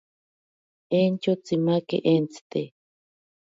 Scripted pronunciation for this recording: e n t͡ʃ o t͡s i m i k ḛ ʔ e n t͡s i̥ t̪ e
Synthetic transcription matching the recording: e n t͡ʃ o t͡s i m a k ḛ ʔ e n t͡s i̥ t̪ e

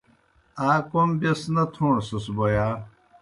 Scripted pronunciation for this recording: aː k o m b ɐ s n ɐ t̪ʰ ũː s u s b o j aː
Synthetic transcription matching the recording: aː k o m b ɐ s n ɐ t̪ʰ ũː s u s b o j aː

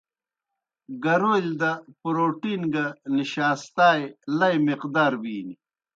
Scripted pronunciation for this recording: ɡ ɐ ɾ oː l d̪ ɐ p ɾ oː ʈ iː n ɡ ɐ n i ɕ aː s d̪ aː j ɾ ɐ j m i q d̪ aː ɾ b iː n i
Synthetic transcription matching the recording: ɡ ɐ ɾ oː l d̪ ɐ p ɾ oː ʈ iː n ɡ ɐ n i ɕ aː s t̪ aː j l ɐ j m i q d̪ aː ɾ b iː n i

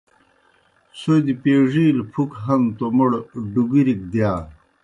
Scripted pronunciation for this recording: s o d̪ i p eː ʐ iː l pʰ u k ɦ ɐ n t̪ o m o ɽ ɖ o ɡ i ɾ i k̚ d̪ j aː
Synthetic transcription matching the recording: s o d̪ i p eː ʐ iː l pʰ u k ɦ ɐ n t̪ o m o ɽ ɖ u ɡ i ɾ i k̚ d̪ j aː

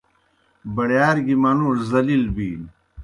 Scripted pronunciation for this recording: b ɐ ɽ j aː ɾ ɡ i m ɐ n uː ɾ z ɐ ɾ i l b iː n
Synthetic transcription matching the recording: b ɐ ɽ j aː ɾ ɡ i m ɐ n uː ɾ z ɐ l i l b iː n

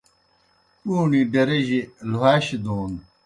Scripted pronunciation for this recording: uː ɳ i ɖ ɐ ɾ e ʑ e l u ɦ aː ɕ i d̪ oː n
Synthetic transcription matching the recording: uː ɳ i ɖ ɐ ɾ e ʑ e l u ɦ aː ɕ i d̪ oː n

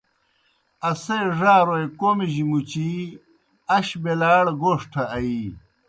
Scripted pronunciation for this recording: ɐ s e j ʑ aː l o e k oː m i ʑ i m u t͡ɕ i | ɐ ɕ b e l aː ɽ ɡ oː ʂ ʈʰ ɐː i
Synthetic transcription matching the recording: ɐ s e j ʐ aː ɾ o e k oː m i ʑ i m u t͡ɕ i | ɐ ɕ b e l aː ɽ ɡ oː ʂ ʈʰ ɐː i

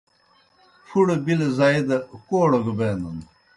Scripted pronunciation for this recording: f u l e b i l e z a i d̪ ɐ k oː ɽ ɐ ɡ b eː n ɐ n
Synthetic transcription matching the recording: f u ɽ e b i l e z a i d̪ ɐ k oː ɽ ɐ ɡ b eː n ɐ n

